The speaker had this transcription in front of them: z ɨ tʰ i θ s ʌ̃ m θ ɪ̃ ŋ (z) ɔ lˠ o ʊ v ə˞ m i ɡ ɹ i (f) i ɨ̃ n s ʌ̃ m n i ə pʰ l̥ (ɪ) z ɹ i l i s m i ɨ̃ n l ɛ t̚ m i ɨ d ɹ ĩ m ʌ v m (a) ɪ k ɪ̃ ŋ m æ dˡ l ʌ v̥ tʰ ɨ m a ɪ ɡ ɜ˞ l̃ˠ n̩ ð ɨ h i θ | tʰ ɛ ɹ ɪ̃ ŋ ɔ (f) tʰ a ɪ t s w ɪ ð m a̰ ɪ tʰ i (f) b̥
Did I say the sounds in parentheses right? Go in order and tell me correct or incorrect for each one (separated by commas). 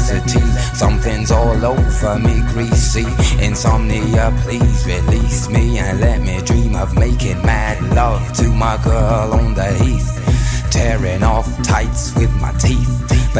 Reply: correct, incorrect, incorrect, incorrect, correct, incorrect